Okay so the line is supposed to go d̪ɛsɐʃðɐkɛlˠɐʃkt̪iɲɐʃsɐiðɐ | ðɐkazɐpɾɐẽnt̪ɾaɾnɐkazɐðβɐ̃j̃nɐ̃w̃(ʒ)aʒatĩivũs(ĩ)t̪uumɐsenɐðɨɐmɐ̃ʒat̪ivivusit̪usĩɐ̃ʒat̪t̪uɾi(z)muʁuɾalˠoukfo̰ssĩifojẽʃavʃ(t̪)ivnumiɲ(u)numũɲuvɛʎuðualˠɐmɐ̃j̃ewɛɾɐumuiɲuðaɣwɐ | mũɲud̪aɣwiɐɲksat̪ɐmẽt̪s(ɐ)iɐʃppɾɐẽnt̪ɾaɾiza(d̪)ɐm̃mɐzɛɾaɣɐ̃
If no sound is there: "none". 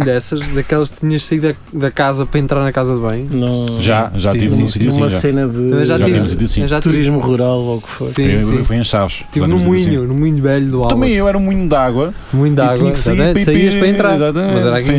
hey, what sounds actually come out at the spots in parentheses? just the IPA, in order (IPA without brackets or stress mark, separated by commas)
ʒ, i, ʒ, t̪, u, ɐ, t̪